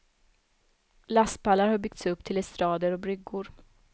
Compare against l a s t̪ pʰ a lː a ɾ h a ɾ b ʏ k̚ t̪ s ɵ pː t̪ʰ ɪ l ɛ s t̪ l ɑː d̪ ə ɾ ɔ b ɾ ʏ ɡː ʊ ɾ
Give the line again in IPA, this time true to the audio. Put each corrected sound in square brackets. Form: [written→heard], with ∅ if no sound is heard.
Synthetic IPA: l a s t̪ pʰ a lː a ɾ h a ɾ b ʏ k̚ t̪ s ɵ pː t̪ʰ ɪ l ɛ s t̪ [l→ɾ] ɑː d̪ ə ɾ ɔ b ɾ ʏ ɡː ʊ ɾ